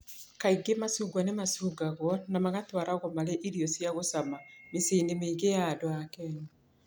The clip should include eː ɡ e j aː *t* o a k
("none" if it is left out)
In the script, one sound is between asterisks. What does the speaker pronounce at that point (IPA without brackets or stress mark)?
d